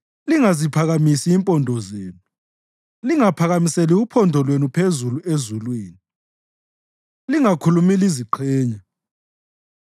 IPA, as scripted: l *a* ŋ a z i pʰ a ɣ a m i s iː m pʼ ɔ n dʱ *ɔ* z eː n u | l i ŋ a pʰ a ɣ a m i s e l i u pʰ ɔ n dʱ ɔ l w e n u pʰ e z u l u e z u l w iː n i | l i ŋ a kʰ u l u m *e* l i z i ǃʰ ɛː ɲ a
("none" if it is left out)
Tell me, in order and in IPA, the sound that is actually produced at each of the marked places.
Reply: i, ɔ, i

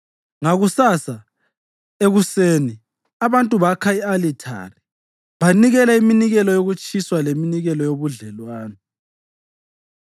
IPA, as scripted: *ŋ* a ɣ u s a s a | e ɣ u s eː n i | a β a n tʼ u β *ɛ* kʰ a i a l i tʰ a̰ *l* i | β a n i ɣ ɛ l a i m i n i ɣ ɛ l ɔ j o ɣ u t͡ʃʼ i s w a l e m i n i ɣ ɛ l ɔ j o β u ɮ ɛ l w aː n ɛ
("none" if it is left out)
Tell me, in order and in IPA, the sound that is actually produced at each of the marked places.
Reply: ŋ, a, r

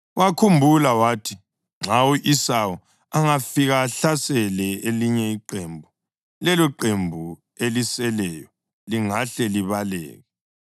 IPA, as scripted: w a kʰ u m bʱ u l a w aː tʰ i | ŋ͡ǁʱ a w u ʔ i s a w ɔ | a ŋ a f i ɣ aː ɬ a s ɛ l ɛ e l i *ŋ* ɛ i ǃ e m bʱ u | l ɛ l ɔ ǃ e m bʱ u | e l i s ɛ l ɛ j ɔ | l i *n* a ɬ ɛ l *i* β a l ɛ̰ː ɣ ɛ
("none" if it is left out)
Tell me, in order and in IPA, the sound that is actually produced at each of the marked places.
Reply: ɲ, ŋ, i

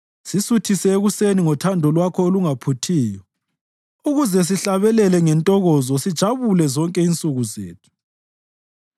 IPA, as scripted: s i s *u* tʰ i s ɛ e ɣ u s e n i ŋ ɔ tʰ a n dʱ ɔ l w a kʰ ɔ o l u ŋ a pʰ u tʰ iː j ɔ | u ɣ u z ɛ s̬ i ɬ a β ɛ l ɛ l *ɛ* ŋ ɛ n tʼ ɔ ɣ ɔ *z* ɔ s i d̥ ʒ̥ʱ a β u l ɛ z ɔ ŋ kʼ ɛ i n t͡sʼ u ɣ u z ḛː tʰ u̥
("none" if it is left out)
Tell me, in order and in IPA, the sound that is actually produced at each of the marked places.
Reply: u, ɛ, z

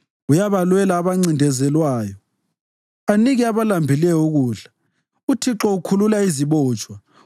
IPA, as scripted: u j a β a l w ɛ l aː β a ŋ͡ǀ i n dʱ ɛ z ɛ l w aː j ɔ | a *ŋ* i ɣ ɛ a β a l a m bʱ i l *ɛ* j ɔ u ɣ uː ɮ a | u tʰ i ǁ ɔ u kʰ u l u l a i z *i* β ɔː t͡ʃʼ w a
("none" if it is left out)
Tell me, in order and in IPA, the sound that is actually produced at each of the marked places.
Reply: n, ɛ, i

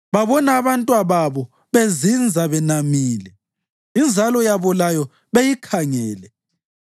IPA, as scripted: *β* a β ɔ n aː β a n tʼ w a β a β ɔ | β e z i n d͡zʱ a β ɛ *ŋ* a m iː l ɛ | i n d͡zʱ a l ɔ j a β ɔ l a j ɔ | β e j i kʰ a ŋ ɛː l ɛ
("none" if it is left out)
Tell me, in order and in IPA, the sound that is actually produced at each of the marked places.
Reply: β, n

